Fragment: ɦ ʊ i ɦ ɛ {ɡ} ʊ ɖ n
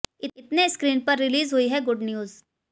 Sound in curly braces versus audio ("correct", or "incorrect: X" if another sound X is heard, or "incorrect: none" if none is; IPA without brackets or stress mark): correct